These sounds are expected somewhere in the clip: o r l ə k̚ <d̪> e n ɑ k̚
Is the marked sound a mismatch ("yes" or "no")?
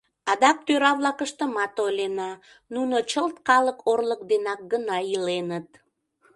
no